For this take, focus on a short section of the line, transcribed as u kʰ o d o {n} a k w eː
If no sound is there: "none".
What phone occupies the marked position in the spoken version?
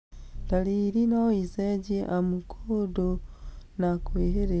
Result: n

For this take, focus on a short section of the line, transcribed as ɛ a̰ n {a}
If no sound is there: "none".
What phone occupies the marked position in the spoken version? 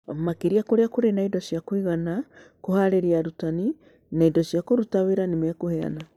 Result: a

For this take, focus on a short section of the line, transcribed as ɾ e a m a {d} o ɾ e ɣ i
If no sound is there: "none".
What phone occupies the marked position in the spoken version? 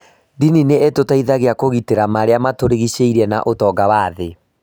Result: t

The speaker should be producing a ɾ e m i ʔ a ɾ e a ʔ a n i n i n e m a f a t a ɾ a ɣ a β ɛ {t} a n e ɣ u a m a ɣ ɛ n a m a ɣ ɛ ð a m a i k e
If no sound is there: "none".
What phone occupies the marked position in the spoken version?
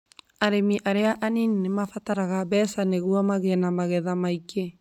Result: s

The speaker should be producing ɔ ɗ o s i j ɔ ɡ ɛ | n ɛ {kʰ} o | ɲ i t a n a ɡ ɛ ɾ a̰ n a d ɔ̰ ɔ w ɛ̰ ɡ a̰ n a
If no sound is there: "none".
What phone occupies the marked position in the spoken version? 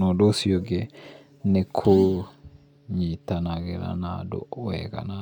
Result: kʰ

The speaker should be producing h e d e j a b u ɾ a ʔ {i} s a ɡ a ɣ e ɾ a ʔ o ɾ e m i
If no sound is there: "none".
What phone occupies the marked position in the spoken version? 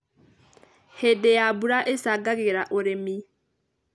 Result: e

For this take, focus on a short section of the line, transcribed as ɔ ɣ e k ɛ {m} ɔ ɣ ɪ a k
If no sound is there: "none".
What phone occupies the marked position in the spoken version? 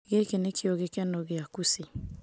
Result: n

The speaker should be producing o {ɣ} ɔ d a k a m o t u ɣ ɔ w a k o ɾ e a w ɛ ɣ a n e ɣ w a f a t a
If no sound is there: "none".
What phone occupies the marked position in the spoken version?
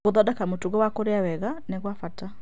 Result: ð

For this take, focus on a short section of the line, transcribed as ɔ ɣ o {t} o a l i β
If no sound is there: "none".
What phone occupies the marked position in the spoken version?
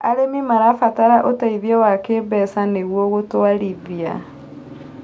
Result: t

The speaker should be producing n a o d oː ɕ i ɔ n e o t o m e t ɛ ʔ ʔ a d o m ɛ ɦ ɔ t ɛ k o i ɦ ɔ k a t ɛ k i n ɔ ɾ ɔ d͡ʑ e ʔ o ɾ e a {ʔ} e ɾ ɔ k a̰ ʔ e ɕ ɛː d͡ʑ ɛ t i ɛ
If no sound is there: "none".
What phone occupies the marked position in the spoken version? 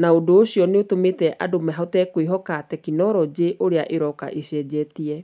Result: ʔ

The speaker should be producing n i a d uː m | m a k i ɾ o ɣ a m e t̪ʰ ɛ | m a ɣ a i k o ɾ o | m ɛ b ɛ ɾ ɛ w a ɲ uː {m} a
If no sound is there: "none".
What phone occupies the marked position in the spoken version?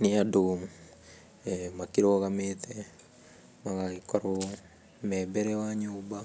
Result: b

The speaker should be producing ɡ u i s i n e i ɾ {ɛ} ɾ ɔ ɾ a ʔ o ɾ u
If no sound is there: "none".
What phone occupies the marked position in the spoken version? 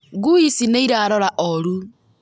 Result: a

